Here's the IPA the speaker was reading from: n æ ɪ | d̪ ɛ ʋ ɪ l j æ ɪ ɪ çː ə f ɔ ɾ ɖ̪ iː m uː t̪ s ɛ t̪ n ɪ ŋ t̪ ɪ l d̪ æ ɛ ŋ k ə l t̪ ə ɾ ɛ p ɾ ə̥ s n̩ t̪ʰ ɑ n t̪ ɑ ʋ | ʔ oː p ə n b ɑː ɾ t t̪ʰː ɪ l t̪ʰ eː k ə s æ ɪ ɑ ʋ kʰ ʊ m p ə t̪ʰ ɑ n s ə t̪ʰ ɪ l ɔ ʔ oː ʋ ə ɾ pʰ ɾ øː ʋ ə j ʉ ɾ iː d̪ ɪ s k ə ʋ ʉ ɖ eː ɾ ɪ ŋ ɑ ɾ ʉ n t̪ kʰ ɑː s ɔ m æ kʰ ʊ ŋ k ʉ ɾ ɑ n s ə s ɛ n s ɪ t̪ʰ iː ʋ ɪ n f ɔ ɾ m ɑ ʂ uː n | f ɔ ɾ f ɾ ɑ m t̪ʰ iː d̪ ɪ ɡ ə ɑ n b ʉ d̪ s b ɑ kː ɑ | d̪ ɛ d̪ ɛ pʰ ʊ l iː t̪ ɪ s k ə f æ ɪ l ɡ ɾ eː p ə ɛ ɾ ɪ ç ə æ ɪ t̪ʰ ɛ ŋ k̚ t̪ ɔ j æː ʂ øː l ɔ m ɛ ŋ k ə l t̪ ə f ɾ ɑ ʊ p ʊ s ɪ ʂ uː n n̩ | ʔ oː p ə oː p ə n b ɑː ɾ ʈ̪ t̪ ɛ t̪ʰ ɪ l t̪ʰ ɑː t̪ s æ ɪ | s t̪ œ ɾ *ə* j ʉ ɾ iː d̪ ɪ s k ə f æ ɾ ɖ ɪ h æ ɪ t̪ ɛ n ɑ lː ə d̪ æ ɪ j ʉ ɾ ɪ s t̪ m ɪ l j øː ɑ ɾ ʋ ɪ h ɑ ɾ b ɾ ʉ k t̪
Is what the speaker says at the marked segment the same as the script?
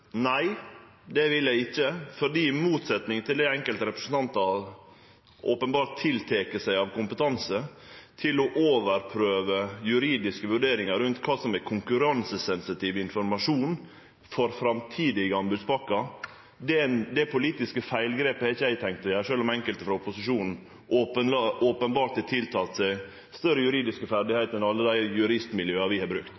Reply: yes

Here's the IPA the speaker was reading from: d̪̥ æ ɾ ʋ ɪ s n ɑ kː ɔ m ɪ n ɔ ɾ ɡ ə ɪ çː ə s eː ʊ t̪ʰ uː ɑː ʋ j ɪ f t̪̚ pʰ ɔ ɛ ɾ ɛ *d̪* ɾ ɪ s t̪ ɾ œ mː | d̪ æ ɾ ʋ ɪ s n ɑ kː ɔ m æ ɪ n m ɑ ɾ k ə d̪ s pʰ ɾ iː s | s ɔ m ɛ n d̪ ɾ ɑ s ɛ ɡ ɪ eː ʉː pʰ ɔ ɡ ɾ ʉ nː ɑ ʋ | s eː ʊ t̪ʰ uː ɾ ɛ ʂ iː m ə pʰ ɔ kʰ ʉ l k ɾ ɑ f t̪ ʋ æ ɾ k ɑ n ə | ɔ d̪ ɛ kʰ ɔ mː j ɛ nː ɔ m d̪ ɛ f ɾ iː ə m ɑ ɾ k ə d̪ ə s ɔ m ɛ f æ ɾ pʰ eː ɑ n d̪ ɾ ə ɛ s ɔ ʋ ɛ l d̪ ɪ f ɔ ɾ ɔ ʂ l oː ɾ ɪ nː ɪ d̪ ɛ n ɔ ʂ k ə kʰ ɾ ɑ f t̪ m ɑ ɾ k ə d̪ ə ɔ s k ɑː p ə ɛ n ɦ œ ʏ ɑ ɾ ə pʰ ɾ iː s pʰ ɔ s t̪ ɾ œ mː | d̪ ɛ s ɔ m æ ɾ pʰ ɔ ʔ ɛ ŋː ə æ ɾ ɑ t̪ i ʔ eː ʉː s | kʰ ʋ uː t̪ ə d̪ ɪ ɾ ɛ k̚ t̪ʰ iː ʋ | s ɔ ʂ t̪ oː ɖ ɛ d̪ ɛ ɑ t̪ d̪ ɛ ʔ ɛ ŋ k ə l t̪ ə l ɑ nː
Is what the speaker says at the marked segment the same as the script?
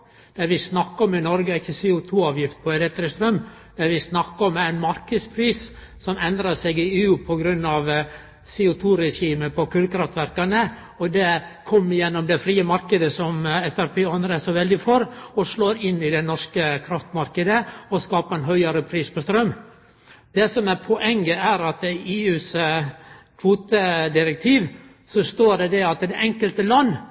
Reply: no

